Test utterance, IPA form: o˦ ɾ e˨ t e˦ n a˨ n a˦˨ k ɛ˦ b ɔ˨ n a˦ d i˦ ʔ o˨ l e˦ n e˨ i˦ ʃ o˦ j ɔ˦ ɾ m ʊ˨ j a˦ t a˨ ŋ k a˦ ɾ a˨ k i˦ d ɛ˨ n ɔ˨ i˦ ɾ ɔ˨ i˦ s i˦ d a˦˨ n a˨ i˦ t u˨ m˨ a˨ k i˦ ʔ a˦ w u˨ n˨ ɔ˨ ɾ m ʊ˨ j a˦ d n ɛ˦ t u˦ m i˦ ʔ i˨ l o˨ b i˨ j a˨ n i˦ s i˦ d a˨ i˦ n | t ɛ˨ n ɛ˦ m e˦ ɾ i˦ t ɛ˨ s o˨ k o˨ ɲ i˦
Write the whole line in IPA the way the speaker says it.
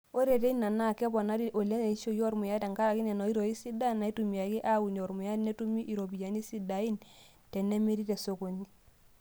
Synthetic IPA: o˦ ɾ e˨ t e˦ n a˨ n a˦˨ k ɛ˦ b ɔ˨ n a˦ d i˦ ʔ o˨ l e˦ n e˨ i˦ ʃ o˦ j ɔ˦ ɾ m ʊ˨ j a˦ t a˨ ŋ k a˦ ɾ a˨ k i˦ n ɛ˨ n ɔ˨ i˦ ɾ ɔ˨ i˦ s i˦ d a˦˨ n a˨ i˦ t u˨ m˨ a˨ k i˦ ʔ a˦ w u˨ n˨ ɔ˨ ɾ m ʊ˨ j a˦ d n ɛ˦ t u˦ m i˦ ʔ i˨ ɾ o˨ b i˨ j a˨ n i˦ s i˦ d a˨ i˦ n | t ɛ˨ n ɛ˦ m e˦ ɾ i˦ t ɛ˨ s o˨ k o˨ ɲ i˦